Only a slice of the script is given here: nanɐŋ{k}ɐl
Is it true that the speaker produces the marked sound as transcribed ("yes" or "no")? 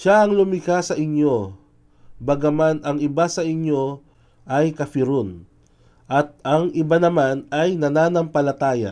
no